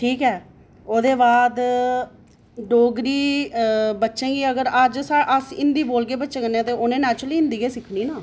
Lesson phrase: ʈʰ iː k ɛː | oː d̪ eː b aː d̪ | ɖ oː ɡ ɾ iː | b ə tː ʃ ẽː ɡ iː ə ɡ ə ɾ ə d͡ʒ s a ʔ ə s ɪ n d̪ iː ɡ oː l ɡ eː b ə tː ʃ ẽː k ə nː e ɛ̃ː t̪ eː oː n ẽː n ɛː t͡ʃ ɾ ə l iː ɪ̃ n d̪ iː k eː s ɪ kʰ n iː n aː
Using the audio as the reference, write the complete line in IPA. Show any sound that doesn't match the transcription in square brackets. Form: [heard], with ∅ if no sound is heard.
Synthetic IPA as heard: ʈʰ iː k ɛː | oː d̪ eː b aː d̪ | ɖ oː ɡ ɾ iː | b ə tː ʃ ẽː ɡ iː ə ɡ ə ɾ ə d͡ʒ s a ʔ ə s ɪ n d̪ iː [b] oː l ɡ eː b ə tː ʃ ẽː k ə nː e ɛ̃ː t̪ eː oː n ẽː n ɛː t͡ʃ ɾ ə l iː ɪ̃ n d̪ iː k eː s ɪ kʰ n iː n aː

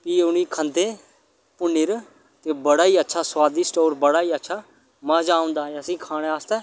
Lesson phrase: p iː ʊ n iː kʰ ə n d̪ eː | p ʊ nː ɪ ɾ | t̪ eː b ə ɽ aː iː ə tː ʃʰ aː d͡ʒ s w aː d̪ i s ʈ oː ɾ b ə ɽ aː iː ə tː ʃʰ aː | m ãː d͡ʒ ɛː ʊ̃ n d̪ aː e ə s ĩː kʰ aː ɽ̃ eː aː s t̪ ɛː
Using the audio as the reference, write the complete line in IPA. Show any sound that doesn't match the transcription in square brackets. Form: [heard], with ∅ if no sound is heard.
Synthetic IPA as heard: p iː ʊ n iː kʰ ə n d̪ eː | p ʊ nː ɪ ɾ | t̪ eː b ə ɽ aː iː ə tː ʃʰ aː [∅] s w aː d̪ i s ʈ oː ɾ b ə ɽ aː iː ə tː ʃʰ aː | m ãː d͡ʒ [aː] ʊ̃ n d̪ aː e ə s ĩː kʰ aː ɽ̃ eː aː s t̪ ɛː

